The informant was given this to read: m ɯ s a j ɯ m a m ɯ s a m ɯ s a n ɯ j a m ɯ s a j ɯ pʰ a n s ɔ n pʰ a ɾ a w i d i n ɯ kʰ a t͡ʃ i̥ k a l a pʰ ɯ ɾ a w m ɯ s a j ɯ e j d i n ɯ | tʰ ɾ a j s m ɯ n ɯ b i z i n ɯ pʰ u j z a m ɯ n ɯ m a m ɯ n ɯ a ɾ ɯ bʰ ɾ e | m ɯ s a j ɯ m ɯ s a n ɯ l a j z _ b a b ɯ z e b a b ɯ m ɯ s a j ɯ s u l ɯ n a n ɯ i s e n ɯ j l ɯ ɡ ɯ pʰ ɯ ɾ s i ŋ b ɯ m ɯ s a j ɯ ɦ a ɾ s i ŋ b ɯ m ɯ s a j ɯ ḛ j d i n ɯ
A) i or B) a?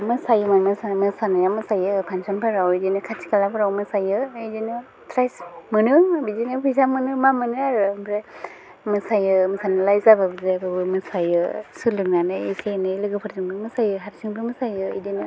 B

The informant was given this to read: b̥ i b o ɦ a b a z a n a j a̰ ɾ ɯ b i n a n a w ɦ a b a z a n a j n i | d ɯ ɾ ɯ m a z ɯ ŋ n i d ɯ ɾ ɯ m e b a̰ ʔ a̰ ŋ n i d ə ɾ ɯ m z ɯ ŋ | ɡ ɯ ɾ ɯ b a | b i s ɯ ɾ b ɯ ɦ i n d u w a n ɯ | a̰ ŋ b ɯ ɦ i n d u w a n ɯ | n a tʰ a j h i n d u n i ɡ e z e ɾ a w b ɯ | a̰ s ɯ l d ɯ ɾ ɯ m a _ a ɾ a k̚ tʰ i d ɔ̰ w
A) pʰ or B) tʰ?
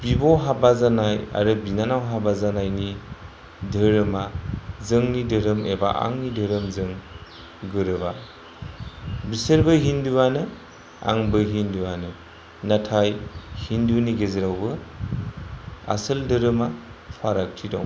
A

